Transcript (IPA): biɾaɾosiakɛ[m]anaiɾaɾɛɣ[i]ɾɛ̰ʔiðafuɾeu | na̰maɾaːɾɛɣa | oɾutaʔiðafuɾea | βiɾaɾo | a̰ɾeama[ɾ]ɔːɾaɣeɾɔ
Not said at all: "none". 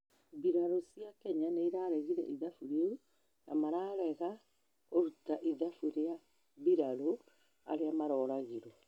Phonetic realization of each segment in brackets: ɲ, i, ɾ

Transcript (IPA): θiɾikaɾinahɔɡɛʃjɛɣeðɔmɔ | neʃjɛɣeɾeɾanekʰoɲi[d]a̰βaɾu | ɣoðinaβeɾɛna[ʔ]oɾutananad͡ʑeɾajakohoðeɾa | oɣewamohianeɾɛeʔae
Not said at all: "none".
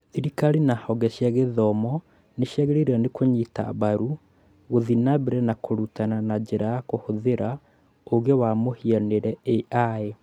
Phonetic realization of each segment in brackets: t, k

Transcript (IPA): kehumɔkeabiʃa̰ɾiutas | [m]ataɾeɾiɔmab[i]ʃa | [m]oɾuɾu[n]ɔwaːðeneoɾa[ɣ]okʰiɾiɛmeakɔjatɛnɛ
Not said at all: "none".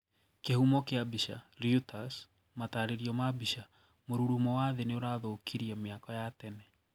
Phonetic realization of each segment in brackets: m, i, m, m, ð

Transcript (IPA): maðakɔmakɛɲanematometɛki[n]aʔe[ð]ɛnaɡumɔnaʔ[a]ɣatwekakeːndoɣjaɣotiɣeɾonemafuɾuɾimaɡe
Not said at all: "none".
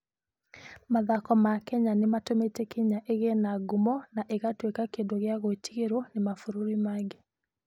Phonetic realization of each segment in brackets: ɲ, ɣ, e

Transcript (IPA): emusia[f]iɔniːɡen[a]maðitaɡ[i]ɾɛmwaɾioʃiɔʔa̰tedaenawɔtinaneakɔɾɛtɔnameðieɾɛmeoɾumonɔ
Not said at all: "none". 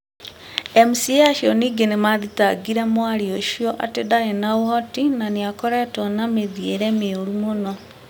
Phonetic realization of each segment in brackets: ʃ, e, i

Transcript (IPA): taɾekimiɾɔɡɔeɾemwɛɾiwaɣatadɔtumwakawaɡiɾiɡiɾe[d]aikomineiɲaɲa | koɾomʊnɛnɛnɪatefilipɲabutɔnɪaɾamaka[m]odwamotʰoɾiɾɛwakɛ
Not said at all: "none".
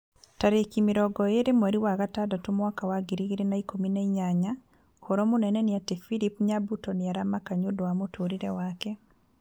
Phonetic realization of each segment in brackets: n, ɲ

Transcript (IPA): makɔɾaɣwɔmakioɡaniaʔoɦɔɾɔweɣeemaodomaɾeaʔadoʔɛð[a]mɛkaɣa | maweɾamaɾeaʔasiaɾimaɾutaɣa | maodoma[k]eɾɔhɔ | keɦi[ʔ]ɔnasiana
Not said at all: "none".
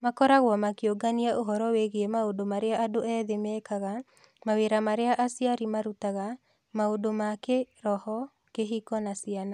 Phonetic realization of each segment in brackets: e, k, k

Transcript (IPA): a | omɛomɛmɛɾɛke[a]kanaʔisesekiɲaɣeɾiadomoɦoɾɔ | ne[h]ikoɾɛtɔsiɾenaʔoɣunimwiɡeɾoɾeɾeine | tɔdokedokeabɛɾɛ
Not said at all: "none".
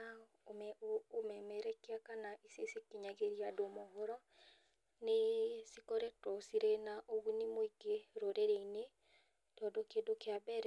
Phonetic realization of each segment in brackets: a, s

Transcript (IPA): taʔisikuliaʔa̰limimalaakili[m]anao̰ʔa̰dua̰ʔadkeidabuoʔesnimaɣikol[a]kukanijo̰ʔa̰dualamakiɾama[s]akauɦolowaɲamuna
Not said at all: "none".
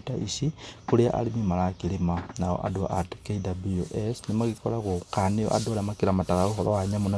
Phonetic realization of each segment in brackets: m, a, t

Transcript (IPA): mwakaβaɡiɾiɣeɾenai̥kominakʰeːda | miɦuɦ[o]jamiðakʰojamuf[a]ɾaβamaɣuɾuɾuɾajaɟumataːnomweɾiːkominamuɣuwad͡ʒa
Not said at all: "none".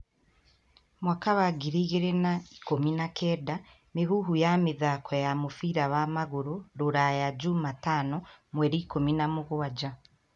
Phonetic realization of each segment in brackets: u, i

